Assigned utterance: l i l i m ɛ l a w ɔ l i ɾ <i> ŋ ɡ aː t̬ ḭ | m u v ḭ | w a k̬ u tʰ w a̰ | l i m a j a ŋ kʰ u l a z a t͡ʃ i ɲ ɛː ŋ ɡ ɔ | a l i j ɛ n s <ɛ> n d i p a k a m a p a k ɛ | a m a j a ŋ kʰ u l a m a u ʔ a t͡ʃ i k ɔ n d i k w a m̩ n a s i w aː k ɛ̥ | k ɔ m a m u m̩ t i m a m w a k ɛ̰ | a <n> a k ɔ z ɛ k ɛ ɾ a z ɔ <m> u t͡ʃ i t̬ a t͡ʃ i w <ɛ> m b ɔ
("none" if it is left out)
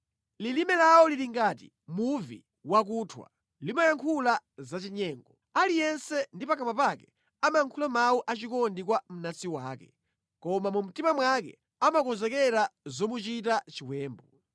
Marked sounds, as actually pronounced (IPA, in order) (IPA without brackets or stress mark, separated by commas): i, ɛ, m, m, ɛː